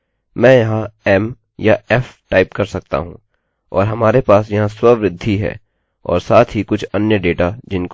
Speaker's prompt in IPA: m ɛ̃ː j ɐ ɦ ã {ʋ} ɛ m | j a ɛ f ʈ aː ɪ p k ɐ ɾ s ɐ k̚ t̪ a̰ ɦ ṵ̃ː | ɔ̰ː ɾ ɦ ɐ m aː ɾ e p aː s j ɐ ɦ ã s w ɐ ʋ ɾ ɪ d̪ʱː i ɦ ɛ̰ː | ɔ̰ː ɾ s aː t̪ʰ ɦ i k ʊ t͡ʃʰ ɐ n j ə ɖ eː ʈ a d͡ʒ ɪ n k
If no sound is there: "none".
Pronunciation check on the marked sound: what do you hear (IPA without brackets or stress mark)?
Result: none